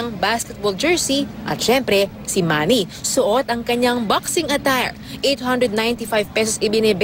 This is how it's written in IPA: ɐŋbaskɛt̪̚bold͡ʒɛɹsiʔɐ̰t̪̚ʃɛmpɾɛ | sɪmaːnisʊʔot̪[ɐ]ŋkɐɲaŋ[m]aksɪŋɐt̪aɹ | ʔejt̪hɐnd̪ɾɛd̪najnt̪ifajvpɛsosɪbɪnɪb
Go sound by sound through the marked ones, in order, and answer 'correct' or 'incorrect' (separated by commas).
correct, incorrect